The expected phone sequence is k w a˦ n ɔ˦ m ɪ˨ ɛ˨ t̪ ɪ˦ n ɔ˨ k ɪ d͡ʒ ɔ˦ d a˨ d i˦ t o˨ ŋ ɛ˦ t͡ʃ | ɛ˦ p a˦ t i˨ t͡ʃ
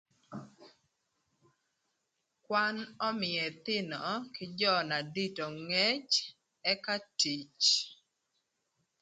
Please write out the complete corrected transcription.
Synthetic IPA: k w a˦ n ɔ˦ m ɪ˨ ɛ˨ t̪ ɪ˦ n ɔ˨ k ɪ d͡ʒ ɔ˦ n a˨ d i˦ t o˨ ŋ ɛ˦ t͡ʃ | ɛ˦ k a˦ t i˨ t͡ʃ